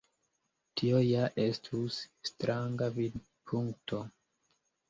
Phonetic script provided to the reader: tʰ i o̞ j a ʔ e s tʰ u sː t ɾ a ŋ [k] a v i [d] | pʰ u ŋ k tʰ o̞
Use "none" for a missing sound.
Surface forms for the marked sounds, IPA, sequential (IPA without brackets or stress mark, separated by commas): ɡ, d